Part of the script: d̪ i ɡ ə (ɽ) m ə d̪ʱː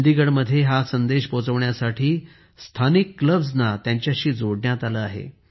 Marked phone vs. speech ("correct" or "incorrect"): correct